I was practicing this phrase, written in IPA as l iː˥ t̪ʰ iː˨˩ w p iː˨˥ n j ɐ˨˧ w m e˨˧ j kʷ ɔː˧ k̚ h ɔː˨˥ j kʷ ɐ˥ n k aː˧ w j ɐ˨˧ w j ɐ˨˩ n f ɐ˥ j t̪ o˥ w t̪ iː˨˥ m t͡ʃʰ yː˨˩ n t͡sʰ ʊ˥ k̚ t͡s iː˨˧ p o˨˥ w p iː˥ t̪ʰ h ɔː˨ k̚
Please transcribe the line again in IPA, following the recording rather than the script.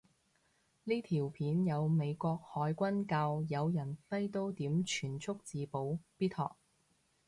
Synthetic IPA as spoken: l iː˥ t̪ʰ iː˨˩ w pʰ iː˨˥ n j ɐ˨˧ w m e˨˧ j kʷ ɔː˧ k̚ h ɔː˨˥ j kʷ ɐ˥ n k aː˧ w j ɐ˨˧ w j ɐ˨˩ n f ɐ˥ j t̪ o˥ w t̪ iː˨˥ m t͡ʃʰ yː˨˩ n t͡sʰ ʊ˥ k̚ t͡s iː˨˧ p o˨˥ w p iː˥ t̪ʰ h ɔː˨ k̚